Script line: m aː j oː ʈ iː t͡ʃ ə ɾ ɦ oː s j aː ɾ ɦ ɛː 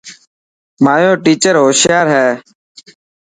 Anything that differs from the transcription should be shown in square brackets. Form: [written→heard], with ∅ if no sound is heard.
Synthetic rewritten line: m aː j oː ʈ iː t͡ʃ ə ɾ ɦ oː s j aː ɾ ɦ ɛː